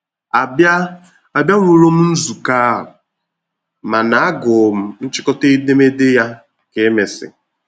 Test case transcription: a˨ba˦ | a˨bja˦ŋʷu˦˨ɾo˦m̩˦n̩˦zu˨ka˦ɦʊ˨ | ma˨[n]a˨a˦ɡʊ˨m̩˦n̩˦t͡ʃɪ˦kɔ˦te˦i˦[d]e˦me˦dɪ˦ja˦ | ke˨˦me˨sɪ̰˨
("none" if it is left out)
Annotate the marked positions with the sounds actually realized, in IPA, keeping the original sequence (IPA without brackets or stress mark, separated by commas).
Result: n, d